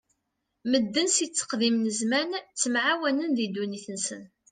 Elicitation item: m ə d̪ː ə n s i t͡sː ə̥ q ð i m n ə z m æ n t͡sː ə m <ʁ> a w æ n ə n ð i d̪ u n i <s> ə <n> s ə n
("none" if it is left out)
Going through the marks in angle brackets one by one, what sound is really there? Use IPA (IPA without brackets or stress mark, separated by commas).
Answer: ʕ, θ, n